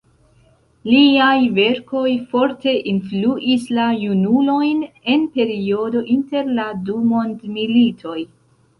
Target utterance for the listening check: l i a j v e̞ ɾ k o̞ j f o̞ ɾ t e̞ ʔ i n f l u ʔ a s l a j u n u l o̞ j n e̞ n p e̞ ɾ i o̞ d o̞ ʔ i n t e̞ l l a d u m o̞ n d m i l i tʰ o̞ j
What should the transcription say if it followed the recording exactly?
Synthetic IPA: l i a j v e̞ ɾ k o̞ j f o̞ ɾ t e̞ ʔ i n f l u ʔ i s l a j u n u l o̞ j n e̞ n p e̞ ɾ i o̞ d o̞ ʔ i n t e̞ ɾ l a d u m o̞ n d m i l i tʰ o̞ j